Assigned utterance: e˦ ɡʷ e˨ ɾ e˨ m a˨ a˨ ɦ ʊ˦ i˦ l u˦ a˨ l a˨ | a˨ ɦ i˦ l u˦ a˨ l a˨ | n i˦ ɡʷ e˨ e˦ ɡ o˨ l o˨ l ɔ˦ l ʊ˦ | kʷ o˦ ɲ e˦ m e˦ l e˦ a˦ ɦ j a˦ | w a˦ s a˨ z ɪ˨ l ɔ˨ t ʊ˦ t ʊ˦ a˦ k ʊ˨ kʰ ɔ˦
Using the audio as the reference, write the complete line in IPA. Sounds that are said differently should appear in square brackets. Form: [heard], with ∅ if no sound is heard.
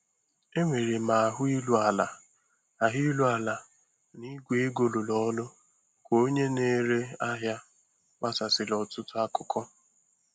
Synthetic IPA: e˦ [ŋʷ] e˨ ɾ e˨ m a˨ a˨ ɦ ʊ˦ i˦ l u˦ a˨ l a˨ | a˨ ɦ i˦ l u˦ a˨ l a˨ | n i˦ ɡʷ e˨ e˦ ɡ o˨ l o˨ l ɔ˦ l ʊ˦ | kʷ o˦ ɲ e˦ [n] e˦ [ɾ] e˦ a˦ ɦ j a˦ | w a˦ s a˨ [s] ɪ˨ l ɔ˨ t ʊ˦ t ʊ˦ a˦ k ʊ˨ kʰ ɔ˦

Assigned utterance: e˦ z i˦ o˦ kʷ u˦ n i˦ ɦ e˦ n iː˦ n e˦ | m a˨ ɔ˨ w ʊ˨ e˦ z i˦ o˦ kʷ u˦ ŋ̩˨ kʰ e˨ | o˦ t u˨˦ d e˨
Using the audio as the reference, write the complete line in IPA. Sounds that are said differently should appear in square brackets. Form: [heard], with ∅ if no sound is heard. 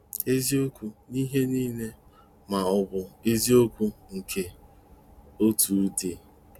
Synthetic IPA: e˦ z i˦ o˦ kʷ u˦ n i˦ ɦ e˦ n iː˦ n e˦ | m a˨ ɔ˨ [b] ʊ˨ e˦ z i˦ o˦ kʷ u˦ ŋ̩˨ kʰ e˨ | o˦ t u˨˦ d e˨

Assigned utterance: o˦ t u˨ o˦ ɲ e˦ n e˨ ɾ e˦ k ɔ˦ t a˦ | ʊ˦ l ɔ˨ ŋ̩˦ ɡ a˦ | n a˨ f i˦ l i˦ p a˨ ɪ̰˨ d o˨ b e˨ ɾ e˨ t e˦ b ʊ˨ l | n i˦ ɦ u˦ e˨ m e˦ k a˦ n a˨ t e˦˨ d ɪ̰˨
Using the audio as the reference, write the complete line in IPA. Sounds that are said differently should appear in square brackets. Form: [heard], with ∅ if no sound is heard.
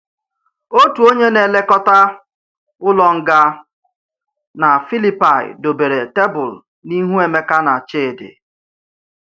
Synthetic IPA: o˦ t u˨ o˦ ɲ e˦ n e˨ [l] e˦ k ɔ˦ t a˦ | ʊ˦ l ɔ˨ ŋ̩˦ ɡ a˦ | n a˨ f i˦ l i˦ p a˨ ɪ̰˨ d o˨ b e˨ ɾ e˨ t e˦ b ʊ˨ l | n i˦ ɦ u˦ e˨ m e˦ k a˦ n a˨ [t͡ʃ] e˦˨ d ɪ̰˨

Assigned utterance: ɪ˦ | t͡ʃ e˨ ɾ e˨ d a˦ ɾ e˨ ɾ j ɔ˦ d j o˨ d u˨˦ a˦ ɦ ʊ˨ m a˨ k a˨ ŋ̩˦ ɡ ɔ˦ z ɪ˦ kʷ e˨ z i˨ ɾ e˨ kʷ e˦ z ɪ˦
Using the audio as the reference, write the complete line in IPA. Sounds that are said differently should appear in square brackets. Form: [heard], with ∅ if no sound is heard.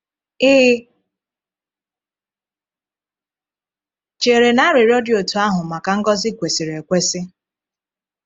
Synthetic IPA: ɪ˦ | t͡ʃ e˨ ɾ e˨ [n] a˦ ɾ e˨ ɾ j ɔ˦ d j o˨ [t] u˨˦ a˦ ɦ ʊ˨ m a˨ k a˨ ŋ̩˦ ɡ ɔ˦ z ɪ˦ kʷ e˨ [s] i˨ ɾ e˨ kʷ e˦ [s] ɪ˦

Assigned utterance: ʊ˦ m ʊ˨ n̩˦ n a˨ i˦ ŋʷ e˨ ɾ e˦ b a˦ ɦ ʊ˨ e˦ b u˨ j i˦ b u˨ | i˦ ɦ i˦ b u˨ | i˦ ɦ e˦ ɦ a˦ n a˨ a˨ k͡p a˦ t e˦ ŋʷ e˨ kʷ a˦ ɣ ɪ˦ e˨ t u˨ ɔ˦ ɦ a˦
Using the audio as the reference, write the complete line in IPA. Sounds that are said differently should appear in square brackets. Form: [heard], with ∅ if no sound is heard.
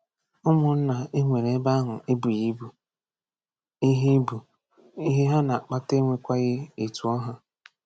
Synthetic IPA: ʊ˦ m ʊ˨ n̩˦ n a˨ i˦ ŋʷ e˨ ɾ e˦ b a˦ ɦ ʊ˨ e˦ b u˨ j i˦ b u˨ | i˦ ɦ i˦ b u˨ | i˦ ɦ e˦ ɦ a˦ n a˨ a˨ k͡p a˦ t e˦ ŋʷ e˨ kʷ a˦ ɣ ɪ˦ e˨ t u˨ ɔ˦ ɦ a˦

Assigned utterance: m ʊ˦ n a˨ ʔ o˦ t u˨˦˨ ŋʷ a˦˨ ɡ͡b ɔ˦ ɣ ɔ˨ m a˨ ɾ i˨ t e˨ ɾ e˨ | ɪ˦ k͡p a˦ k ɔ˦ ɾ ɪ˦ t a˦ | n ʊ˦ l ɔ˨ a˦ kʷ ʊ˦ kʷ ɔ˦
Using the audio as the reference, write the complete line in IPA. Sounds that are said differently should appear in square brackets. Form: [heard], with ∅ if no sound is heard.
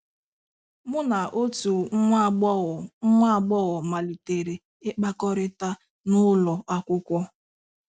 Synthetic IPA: m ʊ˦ n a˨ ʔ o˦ t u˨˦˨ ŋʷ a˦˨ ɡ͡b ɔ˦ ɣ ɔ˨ m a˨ [l] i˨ t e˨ ɾ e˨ | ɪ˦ k͡p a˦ k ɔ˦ ɾ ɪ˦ t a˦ | n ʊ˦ l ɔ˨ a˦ kʷ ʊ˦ kʷ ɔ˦

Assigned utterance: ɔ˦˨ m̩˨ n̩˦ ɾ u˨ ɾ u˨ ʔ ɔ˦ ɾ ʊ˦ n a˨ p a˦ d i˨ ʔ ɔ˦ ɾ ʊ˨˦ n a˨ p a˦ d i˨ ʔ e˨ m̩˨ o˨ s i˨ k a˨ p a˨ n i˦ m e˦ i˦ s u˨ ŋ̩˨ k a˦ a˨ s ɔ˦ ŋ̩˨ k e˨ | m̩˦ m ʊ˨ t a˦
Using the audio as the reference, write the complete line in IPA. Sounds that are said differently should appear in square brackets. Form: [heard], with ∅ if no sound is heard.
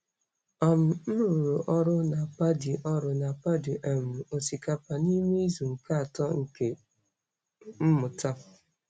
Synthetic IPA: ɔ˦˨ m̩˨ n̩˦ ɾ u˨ ɾ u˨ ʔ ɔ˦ ɾ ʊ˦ n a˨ p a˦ d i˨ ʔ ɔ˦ ɾ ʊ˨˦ n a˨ p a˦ d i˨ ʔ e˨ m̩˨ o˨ s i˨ k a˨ p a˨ n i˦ m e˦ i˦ [z] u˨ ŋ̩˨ k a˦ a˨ [t] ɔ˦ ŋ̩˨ k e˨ | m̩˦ m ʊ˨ t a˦

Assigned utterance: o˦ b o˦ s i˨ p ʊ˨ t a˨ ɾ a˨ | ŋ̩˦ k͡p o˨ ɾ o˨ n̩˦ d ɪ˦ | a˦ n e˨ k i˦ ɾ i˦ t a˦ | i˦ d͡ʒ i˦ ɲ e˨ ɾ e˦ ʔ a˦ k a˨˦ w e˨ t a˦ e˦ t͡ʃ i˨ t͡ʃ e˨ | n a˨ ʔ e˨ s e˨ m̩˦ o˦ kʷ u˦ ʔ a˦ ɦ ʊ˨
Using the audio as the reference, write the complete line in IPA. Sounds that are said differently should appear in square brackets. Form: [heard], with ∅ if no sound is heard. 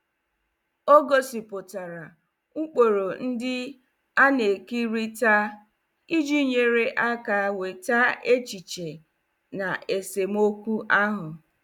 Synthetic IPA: o˦ [ɡ] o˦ s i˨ p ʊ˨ t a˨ ɾ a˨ | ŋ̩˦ k͡p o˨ ɾ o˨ n̩˦ d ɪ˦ | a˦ n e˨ k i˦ ɾ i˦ t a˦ | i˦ d͡ʒ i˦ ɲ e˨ ɾ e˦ ʔ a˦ k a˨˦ w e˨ t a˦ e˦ t͡ʃ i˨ t͡ʃ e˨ | n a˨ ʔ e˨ s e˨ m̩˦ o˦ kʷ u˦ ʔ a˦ ɦ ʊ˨

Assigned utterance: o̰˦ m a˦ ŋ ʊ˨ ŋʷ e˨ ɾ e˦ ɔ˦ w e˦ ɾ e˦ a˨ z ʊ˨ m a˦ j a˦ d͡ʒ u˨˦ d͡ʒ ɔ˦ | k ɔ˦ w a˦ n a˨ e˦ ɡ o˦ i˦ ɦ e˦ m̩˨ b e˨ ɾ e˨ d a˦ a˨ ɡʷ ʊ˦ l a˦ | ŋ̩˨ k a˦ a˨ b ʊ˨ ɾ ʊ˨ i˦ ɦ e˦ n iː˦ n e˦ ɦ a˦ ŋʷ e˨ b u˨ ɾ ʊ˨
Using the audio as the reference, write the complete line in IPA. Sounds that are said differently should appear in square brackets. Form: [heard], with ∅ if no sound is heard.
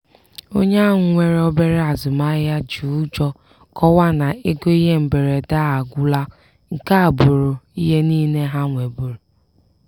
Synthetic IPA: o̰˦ [ɲ] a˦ ŋ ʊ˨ ŋʷ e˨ ɾ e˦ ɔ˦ [b] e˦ ɾ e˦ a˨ z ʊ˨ m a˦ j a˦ d͡ʒ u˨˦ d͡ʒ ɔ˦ | k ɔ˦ w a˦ n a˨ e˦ ɡ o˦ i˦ ɦ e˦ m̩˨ b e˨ ɾ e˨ d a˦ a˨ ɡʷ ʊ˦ l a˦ | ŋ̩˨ k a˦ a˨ b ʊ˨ ɾ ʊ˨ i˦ ɦ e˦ n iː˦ n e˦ ɦ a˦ ŋʷ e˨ b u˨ ɾ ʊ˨

